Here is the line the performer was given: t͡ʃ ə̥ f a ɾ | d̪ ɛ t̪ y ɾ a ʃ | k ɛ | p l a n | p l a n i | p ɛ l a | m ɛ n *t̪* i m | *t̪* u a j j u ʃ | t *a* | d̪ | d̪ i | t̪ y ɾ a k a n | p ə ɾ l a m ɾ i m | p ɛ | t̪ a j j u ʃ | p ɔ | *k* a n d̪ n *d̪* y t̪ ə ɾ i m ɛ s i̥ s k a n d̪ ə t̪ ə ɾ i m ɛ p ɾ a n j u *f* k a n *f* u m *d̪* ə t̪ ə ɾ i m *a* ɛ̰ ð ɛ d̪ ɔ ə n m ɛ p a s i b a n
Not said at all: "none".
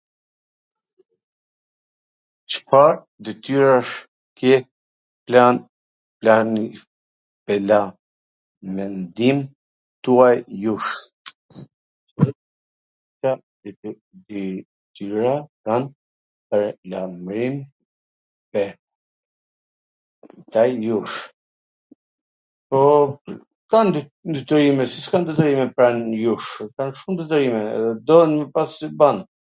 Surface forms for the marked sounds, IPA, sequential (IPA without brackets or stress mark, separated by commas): d̪, t̪, a, k, d̪, ʃ, ʃ, d̪, ɛ